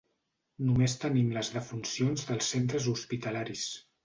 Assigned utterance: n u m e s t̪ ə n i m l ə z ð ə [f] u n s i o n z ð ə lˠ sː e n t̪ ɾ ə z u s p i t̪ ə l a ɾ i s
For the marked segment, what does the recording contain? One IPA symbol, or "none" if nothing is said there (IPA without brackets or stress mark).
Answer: f